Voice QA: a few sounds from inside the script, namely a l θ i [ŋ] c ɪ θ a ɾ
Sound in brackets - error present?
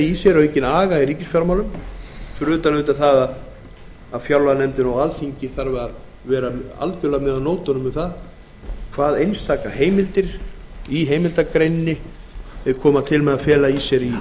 yes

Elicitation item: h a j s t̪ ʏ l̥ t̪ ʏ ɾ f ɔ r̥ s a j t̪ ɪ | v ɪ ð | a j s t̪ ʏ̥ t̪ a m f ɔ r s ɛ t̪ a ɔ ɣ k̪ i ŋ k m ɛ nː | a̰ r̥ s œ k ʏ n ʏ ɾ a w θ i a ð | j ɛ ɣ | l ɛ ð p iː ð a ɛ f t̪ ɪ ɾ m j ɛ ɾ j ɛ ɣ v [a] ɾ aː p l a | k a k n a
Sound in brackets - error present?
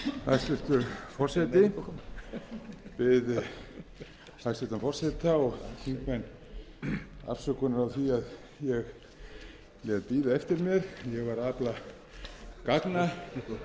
no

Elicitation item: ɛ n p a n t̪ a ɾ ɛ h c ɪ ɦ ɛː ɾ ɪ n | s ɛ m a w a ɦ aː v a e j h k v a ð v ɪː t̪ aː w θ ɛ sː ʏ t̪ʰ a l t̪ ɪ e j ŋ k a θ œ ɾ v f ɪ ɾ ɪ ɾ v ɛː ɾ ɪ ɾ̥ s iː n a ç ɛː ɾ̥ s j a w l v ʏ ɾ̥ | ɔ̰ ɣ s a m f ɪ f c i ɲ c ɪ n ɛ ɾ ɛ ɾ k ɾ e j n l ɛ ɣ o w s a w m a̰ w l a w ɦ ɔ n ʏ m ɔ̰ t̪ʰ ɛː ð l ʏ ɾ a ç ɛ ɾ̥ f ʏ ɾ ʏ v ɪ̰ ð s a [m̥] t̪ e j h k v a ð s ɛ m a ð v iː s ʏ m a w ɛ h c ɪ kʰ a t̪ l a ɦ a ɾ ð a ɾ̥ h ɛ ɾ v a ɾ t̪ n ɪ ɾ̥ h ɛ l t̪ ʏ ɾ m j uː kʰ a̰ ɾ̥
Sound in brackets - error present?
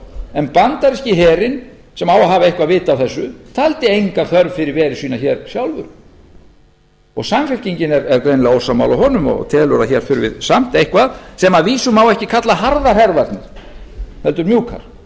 no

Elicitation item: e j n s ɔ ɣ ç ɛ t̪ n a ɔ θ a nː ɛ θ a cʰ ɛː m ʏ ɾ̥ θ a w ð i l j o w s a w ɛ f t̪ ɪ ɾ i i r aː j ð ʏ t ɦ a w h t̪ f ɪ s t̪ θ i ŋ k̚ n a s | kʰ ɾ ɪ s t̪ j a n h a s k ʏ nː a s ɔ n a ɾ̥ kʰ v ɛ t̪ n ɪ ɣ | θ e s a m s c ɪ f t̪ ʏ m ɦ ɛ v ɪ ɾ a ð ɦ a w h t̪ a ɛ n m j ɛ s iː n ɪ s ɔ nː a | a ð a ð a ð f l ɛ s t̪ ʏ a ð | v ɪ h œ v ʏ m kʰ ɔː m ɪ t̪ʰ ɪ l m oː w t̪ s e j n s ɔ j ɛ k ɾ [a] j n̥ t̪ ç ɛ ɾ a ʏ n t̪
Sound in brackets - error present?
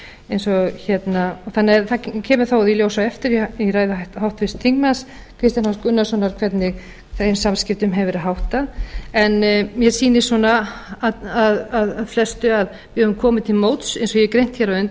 yes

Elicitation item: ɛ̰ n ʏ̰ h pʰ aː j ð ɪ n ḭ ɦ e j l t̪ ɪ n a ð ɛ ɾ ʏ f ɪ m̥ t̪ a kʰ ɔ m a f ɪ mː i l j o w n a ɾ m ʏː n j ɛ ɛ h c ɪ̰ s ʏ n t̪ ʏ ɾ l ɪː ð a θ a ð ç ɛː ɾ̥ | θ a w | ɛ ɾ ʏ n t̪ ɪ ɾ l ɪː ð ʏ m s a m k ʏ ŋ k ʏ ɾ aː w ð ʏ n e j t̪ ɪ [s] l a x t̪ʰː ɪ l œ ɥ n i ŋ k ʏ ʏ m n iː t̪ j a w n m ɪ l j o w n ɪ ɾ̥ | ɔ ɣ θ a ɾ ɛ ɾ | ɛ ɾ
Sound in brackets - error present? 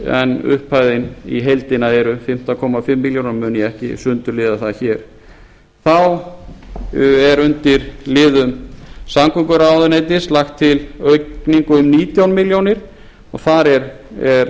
no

